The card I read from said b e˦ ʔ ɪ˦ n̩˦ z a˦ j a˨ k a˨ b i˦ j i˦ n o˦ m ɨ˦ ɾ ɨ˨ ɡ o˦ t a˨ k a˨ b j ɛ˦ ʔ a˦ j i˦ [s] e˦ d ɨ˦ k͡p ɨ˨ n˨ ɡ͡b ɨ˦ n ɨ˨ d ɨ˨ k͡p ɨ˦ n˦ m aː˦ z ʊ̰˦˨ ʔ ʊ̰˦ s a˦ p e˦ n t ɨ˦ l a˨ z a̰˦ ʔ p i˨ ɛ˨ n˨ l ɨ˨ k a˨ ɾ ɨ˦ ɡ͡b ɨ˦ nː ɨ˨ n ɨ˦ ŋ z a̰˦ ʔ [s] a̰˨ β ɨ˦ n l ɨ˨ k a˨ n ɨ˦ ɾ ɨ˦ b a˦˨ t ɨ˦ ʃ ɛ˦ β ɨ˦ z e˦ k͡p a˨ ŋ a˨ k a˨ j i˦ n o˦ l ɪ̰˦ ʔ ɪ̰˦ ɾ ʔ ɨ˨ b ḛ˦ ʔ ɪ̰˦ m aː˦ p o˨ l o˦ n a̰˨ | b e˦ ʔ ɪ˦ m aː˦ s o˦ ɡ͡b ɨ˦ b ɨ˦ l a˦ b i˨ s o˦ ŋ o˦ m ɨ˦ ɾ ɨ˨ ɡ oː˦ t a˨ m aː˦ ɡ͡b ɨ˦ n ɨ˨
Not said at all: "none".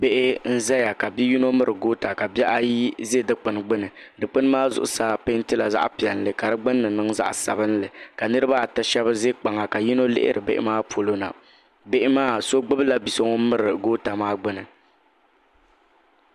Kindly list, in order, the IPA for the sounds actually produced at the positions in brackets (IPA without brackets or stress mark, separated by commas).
z, s